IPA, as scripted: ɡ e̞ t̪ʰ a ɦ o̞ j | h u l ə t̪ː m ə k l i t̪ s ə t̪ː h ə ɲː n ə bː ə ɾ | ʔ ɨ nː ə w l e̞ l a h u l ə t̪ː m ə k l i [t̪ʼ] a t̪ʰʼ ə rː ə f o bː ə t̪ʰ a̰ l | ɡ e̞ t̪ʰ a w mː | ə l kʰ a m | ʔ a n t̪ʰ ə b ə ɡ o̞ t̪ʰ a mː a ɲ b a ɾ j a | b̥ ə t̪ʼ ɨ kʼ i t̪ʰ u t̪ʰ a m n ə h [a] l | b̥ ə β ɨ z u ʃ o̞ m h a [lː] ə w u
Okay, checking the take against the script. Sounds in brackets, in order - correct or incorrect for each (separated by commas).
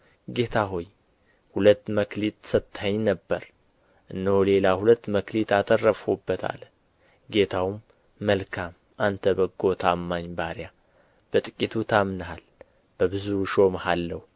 incorrect, correct, correct